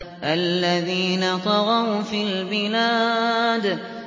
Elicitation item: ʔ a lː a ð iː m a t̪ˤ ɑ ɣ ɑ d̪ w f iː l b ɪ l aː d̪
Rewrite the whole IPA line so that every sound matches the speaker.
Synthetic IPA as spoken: ʔ a lː a ð iː n a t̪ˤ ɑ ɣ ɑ w f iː l b ɪ l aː d̪